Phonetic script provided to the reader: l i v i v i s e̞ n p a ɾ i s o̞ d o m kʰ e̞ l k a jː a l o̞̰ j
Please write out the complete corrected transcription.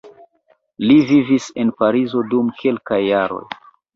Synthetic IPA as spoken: l i v i v i s e̞ n p a ɾ i z o̞ d u m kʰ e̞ l k a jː a ɾ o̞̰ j